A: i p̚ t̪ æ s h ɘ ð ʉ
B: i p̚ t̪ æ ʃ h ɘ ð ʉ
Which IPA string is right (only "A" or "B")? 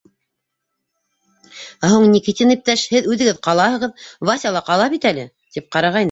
B